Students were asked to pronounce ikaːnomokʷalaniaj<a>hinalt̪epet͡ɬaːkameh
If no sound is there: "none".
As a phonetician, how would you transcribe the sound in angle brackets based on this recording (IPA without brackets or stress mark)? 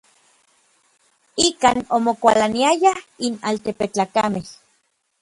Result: a